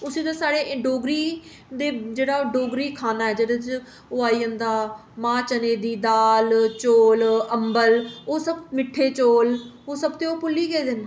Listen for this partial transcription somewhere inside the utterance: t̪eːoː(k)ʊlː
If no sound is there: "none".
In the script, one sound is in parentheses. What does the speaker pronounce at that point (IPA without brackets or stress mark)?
p